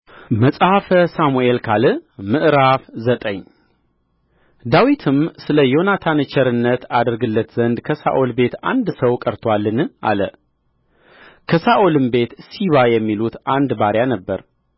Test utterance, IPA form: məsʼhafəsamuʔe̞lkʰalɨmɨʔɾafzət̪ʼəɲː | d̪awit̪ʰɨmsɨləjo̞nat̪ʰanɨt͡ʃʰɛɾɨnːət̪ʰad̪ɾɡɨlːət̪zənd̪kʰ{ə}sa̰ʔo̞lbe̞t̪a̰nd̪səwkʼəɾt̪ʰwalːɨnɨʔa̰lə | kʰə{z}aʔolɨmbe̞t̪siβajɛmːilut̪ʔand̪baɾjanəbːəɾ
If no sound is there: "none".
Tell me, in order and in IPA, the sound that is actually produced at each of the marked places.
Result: ə, s

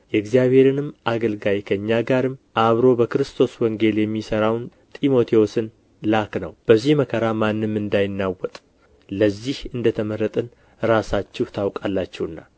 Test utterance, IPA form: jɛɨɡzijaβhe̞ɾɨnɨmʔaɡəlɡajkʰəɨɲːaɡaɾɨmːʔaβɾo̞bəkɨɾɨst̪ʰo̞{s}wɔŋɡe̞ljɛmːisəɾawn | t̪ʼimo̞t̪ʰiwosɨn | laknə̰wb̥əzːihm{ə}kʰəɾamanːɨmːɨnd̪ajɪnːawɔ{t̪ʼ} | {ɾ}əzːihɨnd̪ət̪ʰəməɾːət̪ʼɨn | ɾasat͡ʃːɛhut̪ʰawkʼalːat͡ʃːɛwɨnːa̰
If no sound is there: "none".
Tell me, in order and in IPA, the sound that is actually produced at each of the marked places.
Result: s, ə, t̪ʼ, l

